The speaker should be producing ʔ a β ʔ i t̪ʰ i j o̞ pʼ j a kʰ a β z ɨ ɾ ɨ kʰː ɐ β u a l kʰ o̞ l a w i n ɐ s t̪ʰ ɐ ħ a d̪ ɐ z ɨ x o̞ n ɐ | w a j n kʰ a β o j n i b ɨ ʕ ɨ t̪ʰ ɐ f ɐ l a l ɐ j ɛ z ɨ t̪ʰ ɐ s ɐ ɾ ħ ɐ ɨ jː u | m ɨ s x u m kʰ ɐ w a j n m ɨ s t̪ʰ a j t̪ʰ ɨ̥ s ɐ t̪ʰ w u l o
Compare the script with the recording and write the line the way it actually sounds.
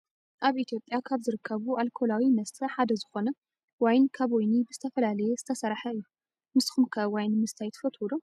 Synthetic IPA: ʔ a β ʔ i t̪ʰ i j o̞ pʼ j a kʰ a β z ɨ ɾ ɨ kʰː ɐ β u a l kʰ o̞ l a w i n ɐ s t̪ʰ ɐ ħ a d̪ ɐ z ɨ x o̞ n ɐ | w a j n kʰ a β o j n i b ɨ z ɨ t̪ʰ ɐ f ɐ l a l ɐ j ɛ z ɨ t̪ʰ ɐ s ɐ ɾ ħ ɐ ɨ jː u | m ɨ s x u m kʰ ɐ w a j n m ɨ s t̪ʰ a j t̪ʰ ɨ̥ f ɐ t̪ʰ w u l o